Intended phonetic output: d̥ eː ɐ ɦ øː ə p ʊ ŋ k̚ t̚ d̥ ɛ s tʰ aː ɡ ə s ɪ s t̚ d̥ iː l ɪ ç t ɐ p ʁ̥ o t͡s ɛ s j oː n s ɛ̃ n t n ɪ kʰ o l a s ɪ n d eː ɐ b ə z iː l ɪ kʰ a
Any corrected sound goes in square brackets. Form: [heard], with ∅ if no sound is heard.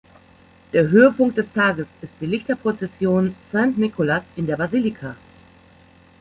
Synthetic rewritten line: d̥ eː ɐ ɦ øː ə p ʊ ŋ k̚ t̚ d̥ ɛ s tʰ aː ɡ ə s ɪ s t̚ d̥ iː l ɪ ç t ɐ p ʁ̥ o t͡s ɛ s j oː n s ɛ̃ n t n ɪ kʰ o l a s ɪ n d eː ɐ b [a] z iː l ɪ kʰ a